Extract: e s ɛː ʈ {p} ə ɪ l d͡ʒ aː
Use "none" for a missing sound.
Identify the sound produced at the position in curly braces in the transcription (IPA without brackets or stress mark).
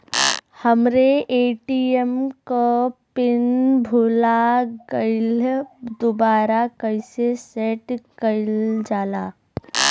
k